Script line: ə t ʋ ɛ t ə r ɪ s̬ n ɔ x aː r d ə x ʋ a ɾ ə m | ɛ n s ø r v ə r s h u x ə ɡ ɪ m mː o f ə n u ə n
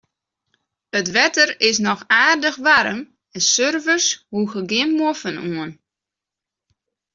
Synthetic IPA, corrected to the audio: ə t ʋ ɛ t ə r ɪ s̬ n ɔ x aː r d ə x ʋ a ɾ ə m | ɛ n s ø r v ə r s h u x ə ɡ ɪ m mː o f ə n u ə n